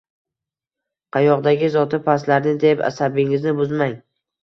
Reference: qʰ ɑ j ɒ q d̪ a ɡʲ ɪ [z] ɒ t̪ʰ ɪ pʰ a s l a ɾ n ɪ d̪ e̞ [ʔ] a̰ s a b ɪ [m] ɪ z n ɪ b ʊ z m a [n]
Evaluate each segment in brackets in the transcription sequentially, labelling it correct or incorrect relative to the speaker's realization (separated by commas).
correct, incorrect, incorrect, incorrect